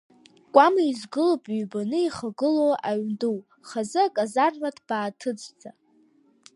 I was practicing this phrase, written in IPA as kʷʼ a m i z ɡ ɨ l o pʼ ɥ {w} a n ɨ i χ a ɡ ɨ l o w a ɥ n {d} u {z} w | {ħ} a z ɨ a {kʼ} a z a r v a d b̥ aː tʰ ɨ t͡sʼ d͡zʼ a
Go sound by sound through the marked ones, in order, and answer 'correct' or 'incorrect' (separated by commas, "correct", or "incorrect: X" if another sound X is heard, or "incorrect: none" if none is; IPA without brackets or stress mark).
incorrect: b, correct, incorrect: none, incorrect: χ, correct